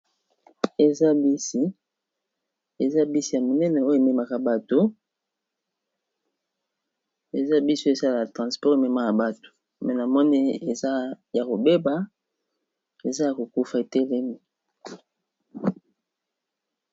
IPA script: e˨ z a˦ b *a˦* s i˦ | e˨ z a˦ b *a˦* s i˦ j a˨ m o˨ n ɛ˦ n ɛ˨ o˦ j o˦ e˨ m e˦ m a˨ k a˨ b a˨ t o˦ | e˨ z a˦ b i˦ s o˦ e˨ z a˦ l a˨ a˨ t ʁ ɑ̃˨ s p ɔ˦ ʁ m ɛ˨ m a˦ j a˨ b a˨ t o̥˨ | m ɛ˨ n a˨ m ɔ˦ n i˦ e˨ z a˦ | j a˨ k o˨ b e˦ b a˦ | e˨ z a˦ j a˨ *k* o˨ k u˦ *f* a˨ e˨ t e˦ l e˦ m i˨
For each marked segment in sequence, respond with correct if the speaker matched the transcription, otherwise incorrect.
incorrect, incorrect, correct, correct

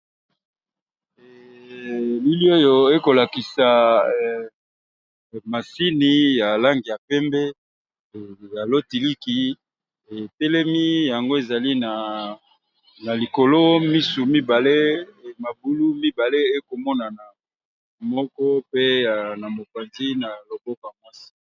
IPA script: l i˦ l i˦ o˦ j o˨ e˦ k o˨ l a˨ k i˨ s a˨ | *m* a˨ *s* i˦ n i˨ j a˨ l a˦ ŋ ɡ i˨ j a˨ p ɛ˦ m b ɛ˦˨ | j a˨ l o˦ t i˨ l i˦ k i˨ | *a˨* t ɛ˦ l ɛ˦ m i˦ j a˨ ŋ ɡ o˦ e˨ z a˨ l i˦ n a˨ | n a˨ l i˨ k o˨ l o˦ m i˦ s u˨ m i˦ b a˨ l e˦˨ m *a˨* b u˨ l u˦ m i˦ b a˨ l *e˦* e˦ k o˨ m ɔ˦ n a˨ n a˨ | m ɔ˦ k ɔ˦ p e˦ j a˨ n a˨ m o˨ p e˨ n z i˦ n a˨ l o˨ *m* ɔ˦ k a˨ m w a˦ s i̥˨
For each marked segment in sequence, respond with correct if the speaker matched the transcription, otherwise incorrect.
correct, correct, incorrect, correct, correct, incorrect

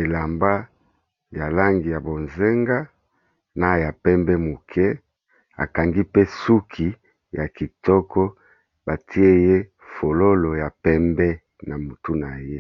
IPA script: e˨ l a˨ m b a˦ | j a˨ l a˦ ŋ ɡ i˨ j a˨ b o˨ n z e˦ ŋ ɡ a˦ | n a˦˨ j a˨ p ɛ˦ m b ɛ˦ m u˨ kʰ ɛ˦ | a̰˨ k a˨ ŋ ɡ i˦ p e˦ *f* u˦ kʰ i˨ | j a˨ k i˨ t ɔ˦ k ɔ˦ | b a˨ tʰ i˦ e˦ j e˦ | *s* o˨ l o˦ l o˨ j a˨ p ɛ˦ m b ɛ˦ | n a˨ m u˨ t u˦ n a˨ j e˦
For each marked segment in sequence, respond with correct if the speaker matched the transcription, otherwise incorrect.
incorrect, incorrect

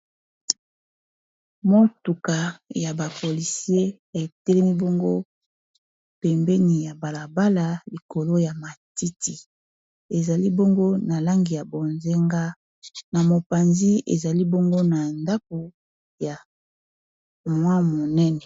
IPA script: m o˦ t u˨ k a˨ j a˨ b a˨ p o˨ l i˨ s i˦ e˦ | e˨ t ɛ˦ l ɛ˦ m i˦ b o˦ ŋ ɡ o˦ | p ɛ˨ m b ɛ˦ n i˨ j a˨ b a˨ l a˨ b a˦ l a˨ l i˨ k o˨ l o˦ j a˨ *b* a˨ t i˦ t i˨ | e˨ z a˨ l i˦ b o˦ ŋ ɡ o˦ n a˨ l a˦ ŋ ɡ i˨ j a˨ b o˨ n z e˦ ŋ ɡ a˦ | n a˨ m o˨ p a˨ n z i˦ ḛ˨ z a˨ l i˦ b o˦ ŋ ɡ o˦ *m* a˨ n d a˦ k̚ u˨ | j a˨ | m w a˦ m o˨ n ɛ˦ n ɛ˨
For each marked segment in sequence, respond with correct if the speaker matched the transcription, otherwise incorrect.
incorrect, incorrect

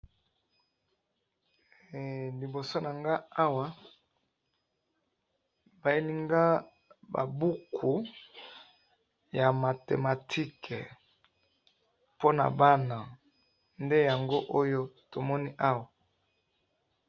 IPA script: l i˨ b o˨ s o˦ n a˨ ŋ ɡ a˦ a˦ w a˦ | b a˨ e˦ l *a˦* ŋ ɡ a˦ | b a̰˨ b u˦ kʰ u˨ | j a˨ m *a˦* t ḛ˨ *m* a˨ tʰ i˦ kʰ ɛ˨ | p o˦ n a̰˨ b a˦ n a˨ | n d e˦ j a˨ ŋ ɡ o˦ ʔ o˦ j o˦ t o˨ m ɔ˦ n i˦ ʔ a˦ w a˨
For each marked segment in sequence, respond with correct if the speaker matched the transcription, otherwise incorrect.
incorrect, incorrect, correct

